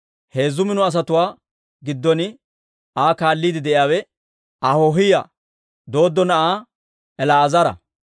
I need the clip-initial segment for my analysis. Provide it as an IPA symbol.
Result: h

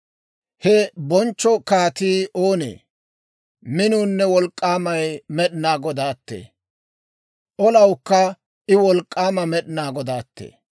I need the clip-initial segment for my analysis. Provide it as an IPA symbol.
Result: h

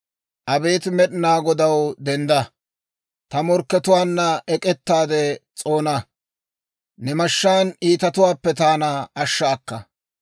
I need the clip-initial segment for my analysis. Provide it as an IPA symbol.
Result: ʔ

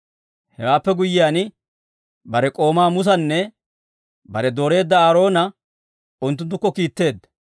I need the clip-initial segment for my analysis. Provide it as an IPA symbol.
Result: h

